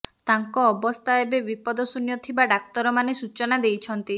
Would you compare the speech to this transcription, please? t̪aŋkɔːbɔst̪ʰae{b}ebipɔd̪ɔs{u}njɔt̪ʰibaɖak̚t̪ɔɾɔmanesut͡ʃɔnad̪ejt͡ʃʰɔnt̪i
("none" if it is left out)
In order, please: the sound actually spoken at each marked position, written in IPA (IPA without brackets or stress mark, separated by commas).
b, u